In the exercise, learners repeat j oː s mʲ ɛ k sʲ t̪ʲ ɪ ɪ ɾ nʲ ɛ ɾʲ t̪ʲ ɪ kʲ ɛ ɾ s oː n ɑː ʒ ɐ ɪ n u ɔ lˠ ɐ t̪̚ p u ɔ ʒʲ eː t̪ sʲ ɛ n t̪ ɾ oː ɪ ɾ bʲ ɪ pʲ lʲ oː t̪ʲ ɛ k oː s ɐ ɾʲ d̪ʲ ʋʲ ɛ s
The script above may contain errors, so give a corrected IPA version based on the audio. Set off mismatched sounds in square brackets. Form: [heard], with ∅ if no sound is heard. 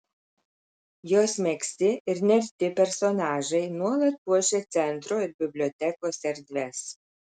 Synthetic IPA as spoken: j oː s mʲ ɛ k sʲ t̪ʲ ɪ ɪ ɾ nʲ ɛ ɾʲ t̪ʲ ɪ [pʲ] ɛ ɾ s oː n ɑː ʒ ɐ ɪ n u ɔ lˠ ɐ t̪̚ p u ɔ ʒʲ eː t̪ sʲ ɛ n t̪ ɾ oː ɪ ɾ bʲ ɪ [bʲ] lʲ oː t̪ʲ ɛ k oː s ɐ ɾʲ d̪ʲ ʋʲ ɛ s